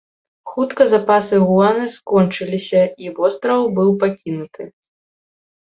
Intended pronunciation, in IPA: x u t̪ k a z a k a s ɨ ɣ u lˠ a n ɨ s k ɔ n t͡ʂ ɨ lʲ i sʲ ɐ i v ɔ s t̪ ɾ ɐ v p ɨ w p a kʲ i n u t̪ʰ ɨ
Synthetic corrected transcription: x u t̪ k ɐ z a p a s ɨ ɣ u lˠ a n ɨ s k ɔ n t͡ʂ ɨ lʲ i sʲ ɐ i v ɔ s t̪ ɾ ɐ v b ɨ w p a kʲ i n u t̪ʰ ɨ